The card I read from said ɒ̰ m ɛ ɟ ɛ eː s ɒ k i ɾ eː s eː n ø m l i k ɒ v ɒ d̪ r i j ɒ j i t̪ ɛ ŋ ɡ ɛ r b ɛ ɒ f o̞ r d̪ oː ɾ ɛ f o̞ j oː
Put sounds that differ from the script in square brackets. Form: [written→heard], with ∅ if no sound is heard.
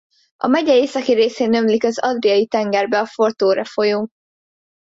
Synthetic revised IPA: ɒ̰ m ɛ ɟ ɛ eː s ɒ k i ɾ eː s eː n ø m l i k ɒ [v→z] ɒ d̪ r i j ɒ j i t̪ ɛ ŋ ɡ ɛ r b ɛ ɒ f o̞ r [d̪→t̪] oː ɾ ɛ f o̞ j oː